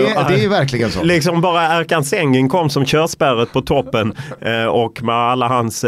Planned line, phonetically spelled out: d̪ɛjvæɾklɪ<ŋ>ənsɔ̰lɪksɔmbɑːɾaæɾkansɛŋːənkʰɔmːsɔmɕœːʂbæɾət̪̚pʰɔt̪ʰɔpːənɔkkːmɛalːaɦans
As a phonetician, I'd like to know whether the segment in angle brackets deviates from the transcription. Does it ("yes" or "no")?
yes